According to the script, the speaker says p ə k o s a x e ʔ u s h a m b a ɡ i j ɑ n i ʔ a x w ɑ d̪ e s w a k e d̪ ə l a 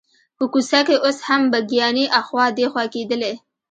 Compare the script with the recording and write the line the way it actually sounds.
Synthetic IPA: p ə k u s a k e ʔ o s h a m b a ɡ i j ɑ n i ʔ a x w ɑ d̪ e x w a k e d̪ ə l e